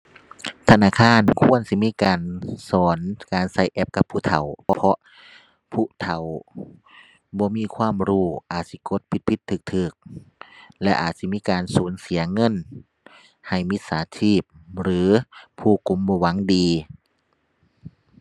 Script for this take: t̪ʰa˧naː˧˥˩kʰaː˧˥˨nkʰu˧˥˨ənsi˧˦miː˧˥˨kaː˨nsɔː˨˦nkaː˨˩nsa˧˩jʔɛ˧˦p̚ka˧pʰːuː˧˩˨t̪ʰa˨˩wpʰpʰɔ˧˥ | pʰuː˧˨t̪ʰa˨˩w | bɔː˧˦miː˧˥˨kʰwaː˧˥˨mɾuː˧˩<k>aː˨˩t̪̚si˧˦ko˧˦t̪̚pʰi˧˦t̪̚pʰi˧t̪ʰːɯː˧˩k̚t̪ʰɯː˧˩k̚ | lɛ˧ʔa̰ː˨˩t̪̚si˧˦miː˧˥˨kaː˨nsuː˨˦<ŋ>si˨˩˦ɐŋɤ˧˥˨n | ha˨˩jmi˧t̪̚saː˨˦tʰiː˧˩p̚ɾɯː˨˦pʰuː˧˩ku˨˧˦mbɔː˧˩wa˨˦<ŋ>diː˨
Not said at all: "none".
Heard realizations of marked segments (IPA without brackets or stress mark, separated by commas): ʔ, n, ŋ